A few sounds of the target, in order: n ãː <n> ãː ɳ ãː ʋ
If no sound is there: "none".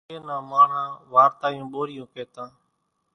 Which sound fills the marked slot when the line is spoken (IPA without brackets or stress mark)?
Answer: m